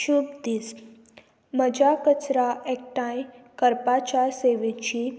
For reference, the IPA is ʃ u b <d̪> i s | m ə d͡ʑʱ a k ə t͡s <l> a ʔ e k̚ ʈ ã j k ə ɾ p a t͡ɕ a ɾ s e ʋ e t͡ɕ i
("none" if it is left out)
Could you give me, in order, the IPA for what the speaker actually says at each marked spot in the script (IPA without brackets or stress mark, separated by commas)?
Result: d̪, ɾ